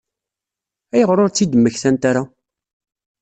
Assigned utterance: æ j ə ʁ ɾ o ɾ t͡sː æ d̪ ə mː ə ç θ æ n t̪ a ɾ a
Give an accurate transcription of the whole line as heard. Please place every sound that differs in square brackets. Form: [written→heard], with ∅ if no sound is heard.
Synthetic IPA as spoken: æ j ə ʁ ɾ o ɾ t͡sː [æ→i] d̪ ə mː ə ç θ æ n t̪ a ɾ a